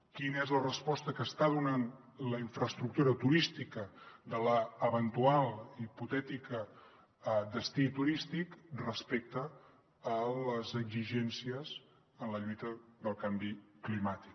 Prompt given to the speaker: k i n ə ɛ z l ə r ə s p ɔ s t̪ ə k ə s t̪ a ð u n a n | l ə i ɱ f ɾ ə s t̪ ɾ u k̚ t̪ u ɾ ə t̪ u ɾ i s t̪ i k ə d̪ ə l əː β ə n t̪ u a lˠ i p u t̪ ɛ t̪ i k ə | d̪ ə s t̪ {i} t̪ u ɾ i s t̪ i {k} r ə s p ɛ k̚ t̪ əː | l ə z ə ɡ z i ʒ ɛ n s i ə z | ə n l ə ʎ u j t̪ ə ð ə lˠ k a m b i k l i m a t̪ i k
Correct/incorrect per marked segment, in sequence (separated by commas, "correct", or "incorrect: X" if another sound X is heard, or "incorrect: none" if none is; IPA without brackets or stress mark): correct, correct